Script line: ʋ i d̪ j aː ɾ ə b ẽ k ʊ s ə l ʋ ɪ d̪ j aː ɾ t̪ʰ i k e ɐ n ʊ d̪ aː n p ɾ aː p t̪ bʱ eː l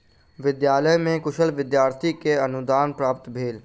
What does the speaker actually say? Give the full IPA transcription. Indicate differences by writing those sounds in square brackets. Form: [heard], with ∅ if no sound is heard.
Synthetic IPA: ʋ [ɪ] d̪ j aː [l] ə [m] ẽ k ʊ [ʃ] ə l ʋ ɪ d̪ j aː ɾ t̪ʰ i k e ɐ n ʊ d̪ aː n p ɾ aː p t̪ bʱ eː l